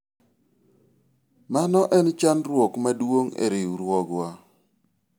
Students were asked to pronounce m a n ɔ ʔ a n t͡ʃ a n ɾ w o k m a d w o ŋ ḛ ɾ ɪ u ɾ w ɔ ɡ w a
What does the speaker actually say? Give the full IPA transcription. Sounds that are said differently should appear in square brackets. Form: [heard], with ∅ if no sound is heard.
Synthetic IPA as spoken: m a n ɔ ʔ [ɛ] n t͡ʃ a n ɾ w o k m a d w o ŋ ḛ ɾ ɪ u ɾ w ɔ ɡ w a